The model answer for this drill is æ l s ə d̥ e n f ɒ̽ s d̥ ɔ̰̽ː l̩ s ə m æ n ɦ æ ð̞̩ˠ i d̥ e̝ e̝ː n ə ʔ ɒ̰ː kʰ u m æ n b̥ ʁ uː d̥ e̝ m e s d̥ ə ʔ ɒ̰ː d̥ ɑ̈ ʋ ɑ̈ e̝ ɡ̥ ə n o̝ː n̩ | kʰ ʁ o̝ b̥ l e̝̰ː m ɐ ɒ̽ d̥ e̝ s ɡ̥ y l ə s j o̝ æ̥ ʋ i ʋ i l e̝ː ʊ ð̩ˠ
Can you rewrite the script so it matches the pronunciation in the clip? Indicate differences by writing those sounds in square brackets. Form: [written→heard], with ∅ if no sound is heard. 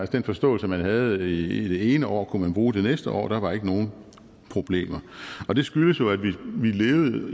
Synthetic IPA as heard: æ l s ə d̥ e n f ɒ̽ s d̥ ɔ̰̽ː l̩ s ə m æ n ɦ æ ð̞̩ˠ i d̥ e̝ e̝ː n ə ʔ ɒ̰ː kʰ u m æ n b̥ ʁ uː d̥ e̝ [m→n] e s d̥ ə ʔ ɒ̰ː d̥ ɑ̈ ʋ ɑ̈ e̝ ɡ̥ ə n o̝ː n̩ | [kʰ→pʰ] ʁ o̝ b̥ l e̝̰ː m ɐ ɒ̽ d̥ e̝ s ɡ̥ y l ə s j o̝ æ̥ ʋ i ʋ i l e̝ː ʊ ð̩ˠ

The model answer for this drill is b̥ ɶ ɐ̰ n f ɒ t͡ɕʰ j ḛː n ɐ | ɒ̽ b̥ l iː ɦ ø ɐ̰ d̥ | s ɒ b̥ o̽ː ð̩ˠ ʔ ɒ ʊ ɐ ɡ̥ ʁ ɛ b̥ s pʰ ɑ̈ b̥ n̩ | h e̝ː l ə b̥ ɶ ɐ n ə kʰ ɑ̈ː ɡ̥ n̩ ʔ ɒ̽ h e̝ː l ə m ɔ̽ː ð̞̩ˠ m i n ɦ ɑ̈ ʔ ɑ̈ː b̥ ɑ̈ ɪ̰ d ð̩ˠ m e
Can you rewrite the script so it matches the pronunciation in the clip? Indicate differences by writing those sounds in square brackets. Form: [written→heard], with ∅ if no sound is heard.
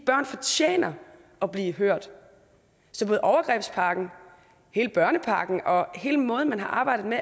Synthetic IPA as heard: b̥ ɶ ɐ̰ n f ɒ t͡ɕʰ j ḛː n ɐ | ɒ̽ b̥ l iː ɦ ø ɐ̰ d̥ | s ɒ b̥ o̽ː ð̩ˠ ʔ ɒ ʊ ɐ ɡ̥ ʁ ɛ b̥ s pʰ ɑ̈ [b̥→ɡ̥] n̩ | h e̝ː l ə b̥ ɶ ɐ n ə [kʰ→pʰ] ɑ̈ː ɡ̥ n̩ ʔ ɒ̽ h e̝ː l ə m ɔ̽ː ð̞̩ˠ m [i→æ] n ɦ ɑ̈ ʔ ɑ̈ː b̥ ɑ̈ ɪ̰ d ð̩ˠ m e

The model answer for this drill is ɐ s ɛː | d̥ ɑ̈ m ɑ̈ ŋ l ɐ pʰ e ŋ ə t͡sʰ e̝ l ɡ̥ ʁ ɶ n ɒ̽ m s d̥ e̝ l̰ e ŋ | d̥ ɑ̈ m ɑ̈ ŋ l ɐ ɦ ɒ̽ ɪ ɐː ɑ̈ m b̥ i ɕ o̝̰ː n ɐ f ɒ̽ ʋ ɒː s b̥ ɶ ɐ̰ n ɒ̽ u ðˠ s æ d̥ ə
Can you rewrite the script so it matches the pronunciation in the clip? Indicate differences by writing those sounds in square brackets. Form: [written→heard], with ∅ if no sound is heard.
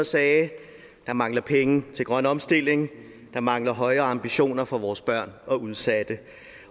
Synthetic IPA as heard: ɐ s ɛː | d̥ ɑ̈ m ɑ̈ ŋ l ɐ pʰ e ŋ ə t͡sʰ e̝ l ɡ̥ ʁ ɶ n ɒ̽ m s d̥ e̝ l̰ e ŋ | d̥ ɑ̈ m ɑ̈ ŋ l ɐ ɦ ɒ̽ ɪ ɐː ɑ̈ m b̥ i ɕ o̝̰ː n ɐ f ɒ̽ ʋ ɒː s b̥ ɶ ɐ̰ n ɒ̽ u ðˠ s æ d̥ ə

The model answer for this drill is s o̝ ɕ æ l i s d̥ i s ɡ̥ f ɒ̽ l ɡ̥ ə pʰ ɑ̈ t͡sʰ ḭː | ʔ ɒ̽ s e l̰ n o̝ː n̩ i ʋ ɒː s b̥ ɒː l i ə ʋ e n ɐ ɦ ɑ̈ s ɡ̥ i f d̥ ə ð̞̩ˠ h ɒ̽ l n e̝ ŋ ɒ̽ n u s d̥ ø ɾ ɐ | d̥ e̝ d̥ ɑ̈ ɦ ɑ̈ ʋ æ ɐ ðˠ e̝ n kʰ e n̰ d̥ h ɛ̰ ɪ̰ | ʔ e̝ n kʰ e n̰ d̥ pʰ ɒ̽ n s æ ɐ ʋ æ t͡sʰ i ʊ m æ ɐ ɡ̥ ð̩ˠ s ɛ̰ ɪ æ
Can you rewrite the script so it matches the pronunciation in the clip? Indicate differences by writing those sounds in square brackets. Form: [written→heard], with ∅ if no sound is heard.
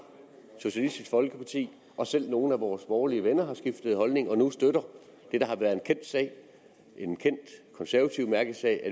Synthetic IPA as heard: s o̝ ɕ æ l i s d̥ i s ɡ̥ f ɒ̽ l ɡ̥ ə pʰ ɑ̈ t͡sʰ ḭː | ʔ ɒ̽ s e l̰ n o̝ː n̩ [i→æ] ʋ ɒː s b̥ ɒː l i ə ʋ e n ɐ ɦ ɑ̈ s ɡ̥ i f d̥ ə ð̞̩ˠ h ɒ̽ l n e̝ ŋ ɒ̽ n u s d̥ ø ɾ ɐ | d̥ e̝ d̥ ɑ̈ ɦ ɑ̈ ʋ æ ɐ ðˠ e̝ n kʰ e n̰ d̥ [h→s] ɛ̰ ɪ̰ | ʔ e̝ n kʰ e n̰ d̥ [pʰ→kʰ] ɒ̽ n s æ ɐ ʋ æ t͡sʰ i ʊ m æ ɐ ɡ̥ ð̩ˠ s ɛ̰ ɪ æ

